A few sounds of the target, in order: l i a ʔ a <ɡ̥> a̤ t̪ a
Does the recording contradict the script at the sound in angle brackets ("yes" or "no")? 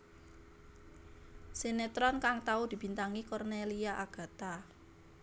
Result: no